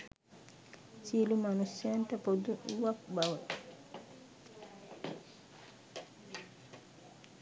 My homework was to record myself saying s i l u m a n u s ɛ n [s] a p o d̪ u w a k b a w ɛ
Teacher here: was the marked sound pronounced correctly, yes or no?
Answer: no